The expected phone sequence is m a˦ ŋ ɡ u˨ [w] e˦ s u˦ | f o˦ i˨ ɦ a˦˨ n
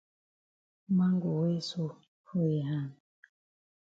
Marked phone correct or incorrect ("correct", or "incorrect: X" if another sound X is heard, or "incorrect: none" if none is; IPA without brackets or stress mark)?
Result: correct